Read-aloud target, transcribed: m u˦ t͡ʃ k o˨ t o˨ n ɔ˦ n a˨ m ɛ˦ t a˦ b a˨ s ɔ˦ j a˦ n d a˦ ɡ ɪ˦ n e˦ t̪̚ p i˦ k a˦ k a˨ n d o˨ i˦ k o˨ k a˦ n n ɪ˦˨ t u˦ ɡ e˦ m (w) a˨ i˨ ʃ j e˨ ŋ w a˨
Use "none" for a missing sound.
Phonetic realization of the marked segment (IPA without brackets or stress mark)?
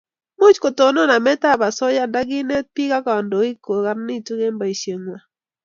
b